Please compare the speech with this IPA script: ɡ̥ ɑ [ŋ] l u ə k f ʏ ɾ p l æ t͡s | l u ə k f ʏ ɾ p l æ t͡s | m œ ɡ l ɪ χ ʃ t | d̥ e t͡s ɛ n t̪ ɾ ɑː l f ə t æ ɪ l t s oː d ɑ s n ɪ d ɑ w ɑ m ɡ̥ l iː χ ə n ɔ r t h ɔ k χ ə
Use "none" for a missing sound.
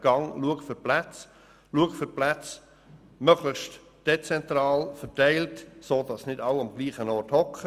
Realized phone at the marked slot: ŋ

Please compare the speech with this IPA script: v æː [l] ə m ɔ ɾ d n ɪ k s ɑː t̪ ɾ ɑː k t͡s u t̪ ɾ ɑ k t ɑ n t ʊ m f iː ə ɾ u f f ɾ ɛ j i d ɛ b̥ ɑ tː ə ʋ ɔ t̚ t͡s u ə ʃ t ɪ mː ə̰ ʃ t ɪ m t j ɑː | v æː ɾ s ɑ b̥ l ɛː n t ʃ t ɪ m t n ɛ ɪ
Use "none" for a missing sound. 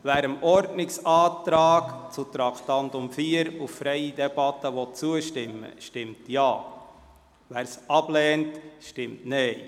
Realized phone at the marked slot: ɾ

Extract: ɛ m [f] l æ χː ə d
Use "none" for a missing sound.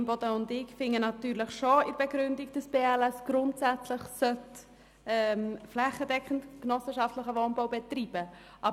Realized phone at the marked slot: f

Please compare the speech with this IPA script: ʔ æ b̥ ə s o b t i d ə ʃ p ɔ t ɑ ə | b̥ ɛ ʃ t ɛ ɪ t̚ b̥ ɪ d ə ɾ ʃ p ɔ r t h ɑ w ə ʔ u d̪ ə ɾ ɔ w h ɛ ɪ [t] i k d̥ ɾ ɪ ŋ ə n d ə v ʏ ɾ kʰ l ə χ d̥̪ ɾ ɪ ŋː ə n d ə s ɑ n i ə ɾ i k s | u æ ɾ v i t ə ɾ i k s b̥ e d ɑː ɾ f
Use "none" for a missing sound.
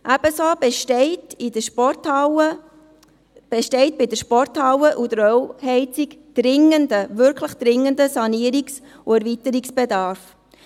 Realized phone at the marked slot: t͡s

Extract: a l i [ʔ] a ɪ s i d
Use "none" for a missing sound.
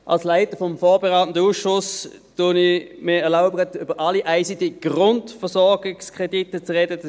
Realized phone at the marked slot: ʔ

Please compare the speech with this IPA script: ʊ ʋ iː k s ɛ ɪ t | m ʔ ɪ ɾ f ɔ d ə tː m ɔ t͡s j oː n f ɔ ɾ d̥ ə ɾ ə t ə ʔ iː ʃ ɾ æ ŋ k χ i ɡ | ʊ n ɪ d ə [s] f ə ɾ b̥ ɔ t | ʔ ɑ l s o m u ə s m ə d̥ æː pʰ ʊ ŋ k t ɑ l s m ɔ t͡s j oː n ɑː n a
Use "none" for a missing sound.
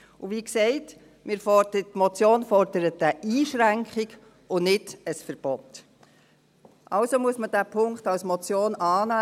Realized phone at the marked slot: s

